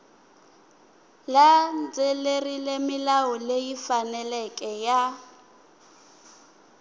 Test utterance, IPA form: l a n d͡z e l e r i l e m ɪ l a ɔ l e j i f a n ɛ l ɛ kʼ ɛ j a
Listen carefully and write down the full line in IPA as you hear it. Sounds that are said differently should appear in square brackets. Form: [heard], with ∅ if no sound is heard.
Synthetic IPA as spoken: l a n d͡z e l e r i l e m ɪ l a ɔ l e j i f a n ɛ l ɛ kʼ ɛ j a